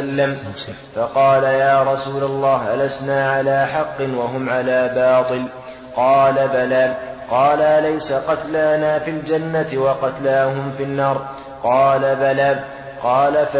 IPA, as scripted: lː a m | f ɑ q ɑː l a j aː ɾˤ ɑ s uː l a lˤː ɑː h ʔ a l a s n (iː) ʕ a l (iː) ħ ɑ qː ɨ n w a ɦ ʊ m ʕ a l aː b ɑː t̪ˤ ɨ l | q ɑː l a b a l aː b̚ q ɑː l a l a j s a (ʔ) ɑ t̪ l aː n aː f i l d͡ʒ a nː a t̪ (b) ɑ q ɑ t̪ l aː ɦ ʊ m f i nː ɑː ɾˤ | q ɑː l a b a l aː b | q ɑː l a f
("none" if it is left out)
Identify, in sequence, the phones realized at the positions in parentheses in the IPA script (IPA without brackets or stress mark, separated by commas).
aː, aː, q, w